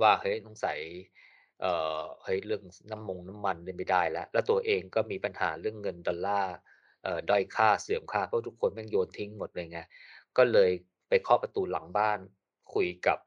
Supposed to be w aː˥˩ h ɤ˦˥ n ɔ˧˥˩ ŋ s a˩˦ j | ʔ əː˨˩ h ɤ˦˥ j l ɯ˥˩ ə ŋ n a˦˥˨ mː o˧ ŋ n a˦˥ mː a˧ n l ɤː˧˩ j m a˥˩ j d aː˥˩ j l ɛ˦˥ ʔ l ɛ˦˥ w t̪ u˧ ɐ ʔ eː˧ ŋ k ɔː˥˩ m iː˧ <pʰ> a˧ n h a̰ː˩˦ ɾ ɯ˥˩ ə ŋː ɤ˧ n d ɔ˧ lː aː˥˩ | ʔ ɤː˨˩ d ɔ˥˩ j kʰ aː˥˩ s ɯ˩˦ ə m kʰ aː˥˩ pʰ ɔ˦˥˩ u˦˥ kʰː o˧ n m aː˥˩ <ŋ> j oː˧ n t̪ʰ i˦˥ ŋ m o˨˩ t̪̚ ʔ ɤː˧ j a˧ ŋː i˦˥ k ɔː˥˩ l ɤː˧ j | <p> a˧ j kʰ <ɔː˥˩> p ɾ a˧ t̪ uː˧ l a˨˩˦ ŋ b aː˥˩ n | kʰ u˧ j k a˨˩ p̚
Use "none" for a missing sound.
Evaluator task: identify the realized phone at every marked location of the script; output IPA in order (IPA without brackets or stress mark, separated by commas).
p, ŋ, p, ɔː˥˩